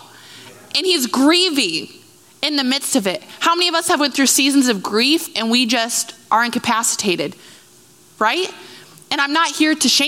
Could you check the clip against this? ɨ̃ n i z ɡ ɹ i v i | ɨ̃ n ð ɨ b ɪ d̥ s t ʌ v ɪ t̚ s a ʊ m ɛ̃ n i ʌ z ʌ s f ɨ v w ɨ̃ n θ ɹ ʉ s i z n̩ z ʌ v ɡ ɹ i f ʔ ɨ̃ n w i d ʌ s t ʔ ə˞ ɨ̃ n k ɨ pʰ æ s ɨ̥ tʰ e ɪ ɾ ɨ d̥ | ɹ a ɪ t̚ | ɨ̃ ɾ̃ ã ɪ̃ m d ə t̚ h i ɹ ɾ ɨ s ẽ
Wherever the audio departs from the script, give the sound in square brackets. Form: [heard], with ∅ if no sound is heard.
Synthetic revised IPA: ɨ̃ n i z ɡ ɹ i v i | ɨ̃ n ð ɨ [m] ɪ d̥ s t ʌ v ɪ t̚ [h] a ʊ m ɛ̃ n i ʌ [v] ʌ s [h] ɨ v w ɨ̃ n θ ɹ ʉ s i z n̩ z ʌ v ɡ ɹ i f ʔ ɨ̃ n w i [d͡ʒ] ʌ s t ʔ ə˞ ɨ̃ n k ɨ pʰ æ s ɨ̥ tʰ e ɪ ɾ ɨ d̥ | ɹ a ɪ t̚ | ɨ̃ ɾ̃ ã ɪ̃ m [n] ə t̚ h i ɹ ɾ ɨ [ʃ] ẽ